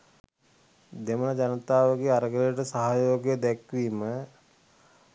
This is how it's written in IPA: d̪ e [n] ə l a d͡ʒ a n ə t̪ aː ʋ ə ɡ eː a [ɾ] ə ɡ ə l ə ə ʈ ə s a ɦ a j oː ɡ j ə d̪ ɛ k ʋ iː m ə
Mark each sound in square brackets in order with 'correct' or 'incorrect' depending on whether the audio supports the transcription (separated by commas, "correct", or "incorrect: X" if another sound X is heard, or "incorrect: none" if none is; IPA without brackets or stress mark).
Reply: incorrect: m, correct